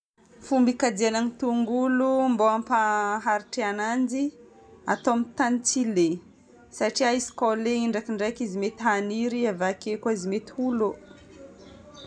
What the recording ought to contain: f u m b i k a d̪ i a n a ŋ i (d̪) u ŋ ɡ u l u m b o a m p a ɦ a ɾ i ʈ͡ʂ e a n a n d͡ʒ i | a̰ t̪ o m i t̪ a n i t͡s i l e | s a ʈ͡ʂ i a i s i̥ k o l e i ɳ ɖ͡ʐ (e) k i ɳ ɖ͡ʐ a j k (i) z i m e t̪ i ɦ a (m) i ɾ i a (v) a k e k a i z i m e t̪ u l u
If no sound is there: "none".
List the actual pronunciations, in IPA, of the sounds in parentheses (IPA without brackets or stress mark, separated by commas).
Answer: t̪, a, i, n, v